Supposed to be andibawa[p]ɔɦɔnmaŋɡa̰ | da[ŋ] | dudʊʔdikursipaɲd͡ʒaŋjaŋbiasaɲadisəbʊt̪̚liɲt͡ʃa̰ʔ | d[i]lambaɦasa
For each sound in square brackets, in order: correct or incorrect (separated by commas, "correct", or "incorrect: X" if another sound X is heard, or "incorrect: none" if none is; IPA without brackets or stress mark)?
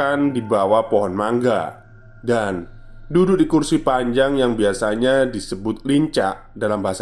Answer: correct, incorrect: n, incorrect: a